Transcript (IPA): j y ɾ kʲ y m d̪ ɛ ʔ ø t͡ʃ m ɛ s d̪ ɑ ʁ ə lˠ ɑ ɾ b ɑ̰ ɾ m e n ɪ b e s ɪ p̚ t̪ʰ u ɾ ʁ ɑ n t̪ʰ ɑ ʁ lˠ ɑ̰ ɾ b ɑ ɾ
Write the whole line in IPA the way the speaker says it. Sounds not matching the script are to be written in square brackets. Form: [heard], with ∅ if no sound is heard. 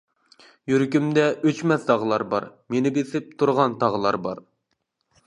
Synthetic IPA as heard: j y ɾ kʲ y m d̪ ɛ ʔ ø t͡ʃ m ɛ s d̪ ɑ ʁ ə lˠ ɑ ɾ b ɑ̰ ɾ m e n ɪ b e s ɪ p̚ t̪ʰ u ɾ ʁ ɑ n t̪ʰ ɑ ʁ lˠ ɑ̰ ɾ b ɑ ɾ